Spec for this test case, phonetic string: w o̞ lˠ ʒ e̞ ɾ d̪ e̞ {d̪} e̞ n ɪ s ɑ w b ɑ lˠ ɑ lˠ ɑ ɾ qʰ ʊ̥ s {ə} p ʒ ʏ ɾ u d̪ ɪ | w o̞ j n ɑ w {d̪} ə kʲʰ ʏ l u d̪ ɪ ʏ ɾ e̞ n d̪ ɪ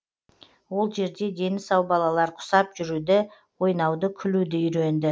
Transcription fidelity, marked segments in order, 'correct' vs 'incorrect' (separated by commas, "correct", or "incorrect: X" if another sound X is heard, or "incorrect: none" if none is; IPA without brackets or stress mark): correct, incorrect: ɑ, correct